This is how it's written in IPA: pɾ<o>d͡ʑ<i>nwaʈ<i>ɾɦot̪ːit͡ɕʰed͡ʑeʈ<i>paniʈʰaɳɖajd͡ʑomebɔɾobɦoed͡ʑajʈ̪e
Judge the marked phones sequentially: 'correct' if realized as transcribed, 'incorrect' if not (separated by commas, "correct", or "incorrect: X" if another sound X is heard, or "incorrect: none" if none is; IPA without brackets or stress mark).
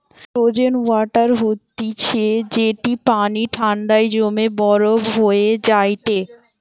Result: correct, incorrect: e, incorrect: a, correct